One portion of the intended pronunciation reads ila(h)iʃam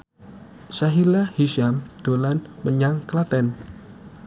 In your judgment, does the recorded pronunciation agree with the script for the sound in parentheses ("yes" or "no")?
yes